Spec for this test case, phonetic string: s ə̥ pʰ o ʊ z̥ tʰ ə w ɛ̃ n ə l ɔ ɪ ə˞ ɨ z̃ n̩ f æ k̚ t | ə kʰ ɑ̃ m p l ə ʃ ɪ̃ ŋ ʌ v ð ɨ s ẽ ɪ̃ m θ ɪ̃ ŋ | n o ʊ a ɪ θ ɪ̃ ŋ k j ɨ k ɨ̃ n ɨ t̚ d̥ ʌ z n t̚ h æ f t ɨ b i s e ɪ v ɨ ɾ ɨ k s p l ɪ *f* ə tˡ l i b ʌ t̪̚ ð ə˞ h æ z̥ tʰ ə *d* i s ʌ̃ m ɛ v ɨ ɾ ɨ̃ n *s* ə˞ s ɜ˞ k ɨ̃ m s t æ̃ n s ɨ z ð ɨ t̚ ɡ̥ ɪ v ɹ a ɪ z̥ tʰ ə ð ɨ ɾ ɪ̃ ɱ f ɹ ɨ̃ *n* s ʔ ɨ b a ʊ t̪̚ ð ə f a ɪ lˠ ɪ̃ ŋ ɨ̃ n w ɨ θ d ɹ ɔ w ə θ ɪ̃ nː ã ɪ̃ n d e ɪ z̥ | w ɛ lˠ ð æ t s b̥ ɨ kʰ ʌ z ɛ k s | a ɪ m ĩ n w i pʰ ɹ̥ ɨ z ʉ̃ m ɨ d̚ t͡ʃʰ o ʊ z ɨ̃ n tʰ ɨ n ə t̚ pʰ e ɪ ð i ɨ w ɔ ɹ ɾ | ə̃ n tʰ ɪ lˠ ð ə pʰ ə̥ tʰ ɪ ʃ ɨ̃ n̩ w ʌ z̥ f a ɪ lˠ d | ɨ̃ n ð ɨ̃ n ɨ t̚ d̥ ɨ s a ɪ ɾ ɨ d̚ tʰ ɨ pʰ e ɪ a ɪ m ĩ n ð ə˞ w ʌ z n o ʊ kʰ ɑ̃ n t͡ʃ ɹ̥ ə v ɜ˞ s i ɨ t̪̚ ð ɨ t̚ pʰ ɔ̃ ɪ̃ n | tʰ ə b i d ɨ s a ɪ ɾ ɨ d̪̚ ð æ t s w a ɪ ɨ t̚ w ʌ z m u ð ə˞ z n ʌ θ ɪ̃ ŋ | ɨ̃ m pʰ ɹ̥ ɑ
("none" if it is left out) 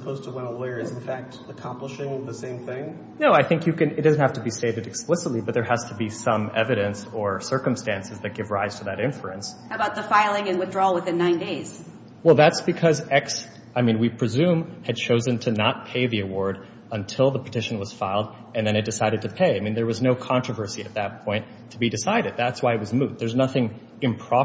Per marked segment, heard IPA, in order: s, b, s, n

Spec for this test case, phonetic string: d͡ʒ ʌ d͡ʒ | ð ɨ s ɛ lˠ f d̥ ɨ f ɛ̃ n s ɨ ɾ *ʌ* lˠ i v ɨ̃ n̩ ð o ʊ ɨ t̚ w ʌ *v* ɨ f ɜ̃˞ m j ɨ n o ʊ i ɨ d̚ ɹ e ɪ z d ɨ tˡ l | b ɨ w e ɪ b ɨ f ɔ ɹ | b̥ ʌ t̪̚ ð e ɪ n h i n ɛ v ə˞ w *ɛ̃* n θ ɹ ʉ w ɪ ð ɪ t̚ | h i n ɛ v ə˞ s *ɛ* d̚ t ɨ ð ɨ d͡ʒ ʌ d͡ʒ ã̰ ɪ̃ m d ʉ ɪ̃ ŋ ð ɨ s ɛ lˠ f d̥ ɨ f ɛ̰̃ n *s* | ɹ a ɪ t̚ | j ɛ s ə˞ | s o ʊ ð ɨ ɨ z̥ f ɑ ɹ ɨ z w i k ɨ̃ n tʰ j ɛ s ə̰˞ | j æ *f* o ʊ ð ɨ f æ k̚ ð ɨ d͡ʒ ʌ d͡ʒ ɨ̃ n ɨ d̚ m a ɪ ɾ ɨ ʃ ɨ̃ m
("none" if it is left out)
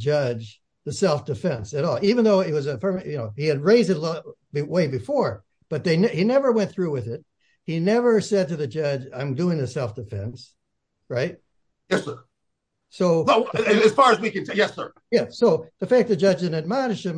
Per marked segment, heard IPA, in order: ɔ, z, ɛ̃, ɛ, s, s

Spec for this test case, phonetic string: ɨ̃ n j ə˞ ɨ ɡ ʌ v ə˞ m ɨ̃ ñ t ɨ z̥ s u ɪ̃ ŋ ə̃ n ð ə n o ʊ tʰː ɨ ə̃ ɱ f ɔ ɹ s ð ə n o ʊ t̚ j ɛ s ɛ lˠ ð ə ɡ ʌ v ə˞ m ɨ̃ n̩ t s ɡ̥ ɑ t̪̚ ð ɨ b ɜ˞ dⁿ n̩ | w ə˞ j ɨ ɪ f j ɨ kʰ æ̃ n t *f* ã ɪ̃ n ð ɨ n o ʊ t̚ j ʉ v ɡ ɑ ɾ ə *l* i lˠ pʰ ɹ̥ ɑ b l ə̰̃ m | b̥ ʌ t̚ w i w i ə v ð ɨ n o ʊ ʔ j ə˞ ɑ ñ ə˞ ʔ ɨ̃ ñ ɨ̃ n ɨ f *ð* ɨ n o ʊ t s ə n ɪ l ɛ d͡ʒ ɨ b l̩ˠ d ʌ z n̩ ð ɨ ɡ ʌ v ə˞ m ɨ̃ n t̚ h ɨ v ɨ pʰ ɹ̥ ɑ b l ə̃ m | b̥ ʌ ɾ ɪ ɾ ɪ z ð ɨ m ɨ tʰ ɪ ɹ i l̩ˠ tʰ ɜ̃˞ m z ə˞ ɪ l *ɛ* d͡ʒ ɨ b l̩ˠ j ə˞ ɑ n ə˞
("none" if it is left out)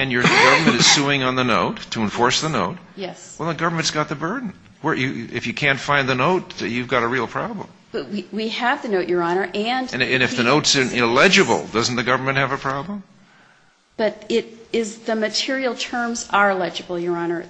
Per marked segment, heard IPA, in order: f, ɹ, ð, ɛ

